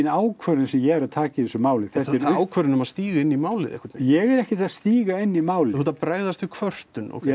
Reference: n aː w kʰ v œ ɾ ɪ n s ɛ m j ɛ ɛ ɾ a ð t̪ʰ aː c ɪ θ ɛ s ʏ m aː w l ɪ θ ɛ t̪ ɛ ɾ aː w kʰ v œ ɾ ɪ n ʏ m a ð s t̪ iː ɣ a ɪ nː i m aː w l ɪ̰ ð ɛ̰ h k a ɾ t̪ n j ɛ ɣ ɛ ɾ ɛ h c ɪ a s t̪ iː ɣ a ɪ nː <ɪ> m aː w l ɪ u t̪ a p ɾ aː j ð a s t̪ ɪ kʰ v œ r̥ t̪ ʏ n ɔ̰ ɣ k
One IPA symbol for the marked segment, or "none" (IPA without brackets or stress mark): i